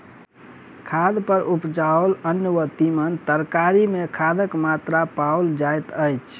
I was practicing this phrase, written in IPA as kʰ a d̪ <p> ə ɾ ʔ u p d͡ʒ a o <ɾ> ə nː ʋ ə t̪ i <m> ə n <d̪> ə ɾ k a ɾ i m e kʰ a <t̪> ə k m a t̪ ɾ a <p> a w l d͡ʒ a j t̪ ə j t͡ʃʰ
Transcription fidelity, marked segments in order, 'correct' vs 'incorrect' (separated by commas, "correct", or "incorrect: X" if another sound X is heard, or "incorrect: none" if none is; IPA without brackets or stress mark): correct, incorrect: l, correct, incorrect: t̪, incorrect: d̪, correct